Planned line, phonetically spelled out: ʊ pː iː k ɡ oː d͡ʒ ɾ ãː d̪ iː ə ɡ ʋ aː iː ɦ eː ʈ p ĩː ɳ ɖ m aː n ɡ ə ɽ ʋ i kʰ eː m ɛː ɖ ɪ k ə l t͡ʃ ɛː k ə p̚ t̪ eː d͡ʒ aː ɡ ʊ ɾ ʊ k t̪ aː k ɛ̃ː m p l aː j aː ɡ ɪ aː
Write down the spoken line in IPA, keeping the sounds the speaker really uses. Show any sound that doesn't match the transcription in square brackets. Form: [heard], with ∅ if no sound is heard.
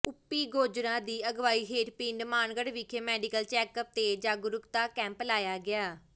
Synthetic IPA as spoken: ʊ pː iː [∅] ɡ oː d͡ʒ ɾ ãː d̪ iː ə ɡ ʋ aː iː ɦ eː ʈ p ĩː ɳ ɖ m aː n ɡ ə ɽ ʋ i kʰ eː m ɛː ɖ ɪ k ə l t͡ʃ ɛː k ə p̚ t̪ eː d͡ʒ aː ɡ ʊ ɾ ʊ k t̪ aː k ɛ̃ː m p l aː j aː ɡ ɪ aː

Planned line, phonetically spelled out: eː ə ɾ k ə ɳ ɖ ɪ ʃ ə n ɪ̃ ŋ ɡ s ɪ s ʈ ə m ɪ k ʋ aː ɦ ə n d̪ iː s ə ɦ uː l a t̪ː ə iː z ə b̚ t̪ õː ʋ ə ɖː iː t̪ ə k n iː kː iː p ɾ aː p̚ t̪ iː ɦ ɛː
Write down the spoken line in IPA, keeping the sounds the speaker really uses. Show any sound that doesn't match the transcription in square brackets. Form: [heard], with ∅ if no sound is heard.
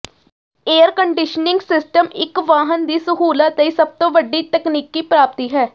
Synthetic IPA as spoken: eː ə ɾ k ə ɳ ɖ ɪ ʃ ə n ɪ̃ ŋ ɡ s ɪ s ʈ ə m ɪ k ʋ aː ɦ ə n d̪ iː s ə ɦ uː l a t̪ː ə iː [s] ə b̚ t̪ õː ʋ ə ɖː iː t̪ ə k n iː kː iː p ɾ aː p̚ t̪ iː ɦ ɛː

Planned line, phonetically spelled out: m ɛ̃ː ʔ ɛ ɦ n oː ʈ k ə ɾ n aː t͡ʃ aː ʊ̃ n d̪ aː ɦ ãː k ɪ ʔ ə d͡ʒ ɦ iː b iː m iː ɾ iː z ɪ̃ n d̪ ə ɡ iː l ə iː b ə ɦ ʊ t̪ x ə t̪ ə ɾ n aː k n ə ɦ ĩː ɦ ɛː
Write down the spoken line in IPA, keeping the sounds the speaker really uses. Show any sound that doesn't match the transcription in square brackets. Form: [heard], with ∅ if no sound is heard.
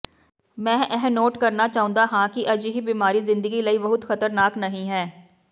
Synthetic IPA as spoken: m ɛ̃ː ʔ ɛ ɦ n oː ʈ k ə ɾ n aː t͡ʃ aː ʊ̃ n d̪ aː ɦ ãː k ɪ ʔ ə d͡ʒ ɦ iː b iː m [aː] ɾ iː z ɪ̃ n d̪ ə ɡ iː l ə iː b ə ɦ ʊ t̪ x ə t̪ ə ɾ n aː k n ə ɦ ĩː ɦ ɛː

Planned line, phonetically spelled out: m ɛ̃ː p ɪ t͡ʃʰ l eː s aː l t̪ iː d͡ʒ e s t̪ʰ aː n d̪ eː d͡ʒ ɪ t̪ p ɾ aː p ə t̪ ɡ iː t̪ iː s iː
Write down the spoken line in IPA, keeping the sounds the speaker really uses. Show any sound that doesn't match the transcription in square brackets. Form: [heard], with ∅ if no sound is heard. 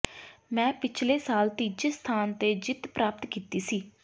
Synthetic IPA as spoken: m ɛ̃ː p ɪ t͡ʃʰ l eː s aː l t̪ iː d͡ʒ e s t̪ʰ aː n [t̪] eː d͡ʒ ɪ t̪ p ɾ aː p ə t̪ [k] iː t̪ iː s iː

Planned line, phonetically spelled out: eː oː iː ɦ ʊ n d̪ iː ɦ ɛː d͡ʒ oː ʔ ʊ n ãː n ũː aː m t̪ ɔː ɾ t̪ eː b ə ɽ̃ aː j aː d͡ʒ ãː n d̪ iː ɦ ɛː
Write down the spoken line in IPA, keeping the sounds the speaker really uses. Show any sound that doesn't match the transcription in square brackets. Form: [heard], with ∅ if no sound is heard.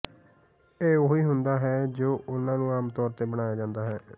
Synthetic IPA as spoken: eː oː iː ɦ ʊ n d̪ [aː] ɦ ɛː d͡ʒ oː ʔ ʊ n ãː n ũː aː m t̪ ɔː ɾ t̪ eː b ə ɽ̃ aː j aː d͡ʒ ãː n d̪ [aː] ɦ ɛː

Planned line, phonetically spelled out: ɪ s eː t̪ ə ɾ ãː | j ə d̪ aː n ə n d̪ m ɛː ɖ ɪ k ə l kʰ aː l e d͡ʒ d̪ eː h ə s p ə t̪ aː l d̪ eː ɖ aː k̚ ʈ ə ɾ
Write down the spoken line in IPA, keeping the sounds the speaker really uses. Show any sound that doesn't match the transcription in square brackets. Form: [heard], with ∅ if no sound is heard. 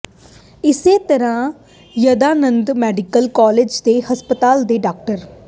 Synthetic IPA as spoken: ɪ s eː t̪ ə ɾ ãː | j ə d̪ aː n ə n d̪ m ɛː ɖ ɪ k ə l [k] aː l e d͡ʒ d̪ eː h ə s p ə t̪ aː l d̪ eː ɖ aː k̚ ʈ ə ɾ

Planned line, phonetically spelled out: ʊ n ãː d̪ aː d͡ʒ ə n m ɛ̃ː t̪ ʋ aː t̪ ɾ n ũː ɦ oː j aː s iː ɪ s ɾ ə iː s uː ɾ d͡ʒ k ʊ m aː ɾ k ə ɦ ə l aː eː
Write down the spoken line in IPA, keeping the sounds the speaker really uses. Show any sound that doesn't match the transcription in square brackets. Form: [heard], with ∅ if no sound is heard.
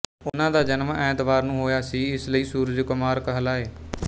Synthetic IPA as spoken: ʊ n ãː d̪ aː d͡ʒ ə n m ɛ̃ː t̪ ʋ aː [∅] ɾ n ũː ɦ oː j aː s iː ɪ s [l] ə iː s uː ɾ d͡ʒ k ʊ m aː ɾ k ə ɦ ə l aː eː

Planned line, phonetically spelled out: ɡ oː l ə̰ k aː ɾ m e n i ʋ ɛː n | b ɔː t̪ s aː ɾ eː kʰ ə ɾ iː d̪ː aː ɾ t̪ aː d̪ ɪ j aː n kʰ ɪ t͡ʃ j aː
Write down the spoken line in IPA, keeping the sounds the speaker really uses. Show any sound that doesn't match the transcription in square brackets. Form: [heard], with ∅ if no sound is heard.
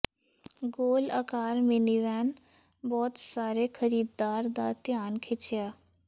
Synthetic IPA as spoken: ɡ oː l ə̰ k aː ɾ m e n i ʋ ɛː n | b ɔː t̪ s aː ɾ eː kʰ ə ɾ iː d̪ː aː ɾ [d̪] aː [t̪] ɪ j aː n kʰ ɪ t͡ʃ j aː

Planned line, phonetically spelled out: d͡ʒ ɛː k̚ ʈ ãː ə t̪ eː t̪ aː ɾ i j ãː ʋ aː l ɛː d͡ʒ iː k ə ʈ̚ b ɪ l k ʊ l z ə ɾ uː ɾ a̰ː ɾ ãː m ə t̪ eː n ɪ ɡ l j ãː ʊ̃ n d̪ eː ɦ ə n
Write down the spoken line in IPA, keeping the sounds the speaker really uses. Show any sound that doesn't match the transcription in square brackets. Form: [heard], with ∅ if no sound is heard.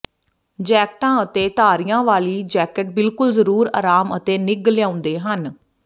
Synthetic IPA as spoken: d͡ʒ ɛː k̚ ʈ ãː ə t̪ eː t̪ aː ɾ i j ãː ʋ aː l [iː] d͡ʒ [ɛː] k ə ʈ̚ b ɪ l k ʊ l z ə ɾ uː ɾ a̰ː ɾ [aː] m ə t̪ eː n ɪ ɡ l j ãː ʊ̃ n d̪ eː ɦ ə n

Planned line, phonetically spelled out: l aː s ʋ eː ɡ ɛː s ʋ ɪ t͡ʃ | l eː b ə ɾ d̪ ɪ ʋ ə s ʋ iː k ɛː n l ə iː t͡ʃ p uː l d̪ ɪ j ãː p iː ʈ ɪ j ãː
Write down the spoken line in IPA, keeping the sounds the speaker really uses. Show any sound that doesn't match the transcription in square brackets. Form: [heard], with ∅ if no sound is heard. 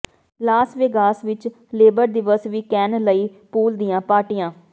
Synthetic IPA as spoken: l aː s ʋ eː ɡ [aː] s ʋ ɪ t͡ʃ | l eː b ə ɾ d̪ ɪ ʋ ə s ʋ iː k ɛː n l ə iː [∅] p uː l d̪ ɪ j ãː p [aː] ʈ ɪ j ãː

